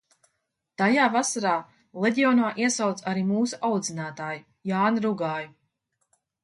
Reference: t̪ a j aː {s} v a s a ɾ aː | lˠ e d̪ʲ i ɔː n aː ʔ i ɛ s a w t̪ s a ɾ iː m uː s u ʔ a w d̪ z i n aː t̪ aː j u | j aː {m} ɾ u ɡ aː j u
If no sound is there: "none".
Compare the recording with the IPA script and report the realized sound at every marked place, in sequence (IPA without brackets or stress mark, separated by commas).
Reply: none, n